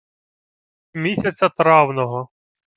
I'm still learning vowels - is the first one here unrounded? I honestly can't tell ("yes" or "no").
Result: yes